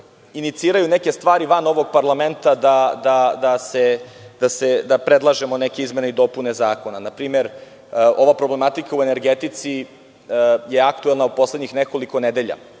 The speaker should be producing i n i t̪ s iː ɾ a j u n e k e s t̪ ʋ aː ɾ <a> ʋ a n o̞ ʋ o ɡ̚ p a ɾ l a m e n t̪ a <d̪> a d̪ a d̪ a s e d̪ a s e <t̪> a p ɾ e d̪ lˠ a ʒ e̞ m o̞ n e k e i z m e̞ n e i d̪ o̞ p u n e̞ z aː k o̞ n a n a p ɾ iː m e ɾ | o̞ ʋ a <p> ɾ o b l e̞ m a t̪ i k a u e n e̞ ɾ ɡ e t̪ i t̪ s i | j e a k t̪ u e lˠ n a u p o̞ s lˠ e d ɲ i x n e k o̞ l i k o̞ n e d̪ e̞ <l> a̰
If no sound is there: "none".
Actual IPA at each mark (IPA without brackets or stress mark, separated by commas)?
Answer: i, d̪, d̪, p, ʎ